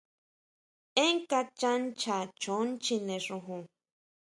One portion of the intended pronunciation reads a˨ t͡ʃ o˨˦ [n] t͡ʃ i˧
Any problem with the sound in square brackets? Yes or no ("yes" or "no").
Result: no